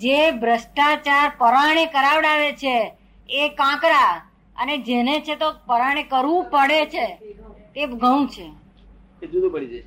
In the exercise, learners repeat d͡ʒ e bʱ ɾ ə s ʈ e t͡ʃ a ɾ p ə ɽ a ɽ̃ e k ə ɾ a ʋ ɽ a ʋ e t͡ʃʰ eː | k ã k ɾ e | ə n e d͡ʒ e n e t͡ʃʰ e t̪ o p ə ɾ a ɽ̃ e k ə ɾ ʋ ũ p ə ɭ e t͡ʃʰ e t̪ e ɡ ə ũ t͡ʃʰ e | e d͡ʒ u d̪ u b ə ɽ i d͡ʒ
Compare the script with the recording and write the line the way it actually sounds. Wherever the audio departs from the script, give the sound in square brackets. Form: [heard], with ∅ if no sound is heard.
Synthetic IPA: d͡ʒ e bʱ ɾ ə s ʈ [a] t͡ʃ a ɾ p ə [ɾ] a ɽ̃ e k ə ɾ a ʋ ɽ a ʋ e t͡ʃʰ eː | k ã k ɾ [a] | ə n e d͡ʒ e n e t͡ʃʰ e t̪ o p ə ɾ a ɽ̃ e k ə ɾ ʋ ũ p ə [ɽ] e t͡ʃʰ e t̪ e ɡ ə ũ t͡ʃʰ e | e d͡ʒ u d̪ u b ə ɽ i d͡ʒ